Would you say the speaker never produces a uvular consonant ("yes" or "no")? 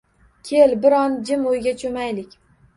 yes